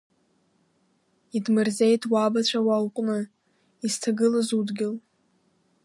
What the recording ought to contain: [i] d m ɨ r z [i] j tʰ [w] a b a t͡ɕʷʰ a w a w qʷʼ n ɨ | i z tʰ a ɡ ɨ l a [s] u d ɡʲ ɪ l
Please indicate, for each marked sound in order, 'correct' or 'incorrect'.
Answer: correct, incorrect, correct, incorrect

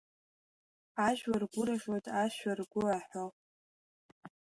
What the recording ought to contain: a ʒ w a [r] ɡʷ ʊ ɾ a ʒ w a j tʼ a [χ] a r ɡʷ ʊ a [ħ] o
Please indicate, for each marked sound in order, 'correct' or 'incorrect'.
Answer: correct, incorrect, correct

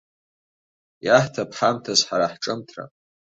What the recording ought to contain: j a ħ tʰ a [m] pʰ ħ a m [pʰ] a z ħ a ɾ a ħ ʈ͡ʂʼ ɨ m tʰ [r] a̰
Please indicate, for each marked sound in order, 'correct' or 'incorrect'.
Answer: incorrect, incorrect, correct

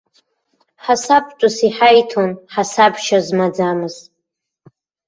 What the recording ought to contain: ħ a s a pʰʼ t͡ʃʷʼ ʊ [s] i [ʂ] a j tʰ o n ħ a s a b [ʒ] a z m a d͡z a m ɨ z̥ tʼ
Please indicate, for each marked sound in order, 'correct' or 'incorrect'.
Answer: correct, incorrect, incorrect

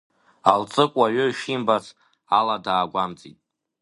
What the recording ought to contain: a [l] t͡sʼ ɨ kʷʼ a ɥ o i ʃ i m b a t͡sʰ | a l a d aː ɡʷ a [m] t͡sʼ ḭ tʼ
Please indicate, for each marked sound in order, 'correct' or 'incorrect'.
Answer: correct, correct

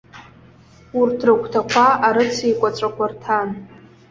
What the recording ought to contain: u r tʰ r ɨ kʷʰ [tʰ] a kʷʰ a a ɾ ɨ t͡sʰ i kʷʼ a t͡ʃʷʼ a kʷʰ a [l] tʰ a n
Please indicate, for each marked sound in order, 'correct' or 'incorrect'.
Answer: correct, incorrect

